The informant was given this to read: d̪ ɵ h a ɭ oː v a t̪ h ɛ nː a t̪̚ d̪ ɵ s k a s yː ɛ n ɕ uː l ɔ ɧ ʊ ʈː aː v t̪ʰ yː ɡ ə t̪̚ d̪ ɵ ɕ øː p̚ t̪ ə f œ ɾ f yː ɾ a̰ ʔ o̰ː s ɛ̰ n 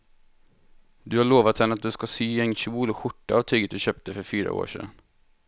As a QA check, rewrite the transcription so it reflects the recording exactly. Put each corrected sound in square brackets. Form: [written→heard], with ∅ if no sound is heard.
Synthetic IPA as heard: d̪ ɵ h a ɭ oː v a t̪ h ɛ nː a t̪̚ d̪ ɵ s k a s yː ɛ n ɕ uː l ɔ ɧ ʊ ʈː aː v t̪ʰ yː ɡ ə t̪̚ d̪ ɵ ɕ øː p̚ t̪ ə f œ ɾ f yː ɾ a̰ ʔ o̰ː [s→ʂ] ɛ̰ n